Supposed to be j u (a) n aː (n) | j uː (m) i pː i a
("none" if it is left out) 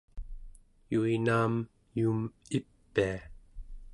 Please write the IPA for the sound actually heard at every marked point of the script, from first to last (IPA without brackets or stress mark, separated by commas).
i, m, m